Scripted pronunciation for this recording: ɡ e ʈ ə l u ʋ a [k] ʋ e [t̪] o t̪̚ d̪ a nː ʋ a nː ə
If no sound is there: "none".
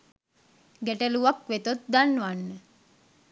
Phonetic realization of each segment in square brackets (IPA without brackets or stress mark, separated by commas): k, t̪